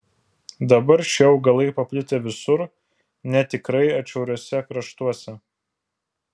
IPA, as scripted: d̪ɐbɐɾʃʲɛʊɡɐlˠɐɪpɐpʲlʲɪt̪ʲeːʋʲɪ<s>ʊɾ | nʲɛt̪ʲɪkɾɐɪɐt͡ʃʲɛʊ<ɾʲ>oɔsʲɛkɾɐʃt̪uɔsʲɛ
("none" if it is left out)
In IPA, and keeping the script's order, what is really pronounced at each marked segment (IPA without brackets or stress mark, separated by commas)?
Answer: s, ɾʲ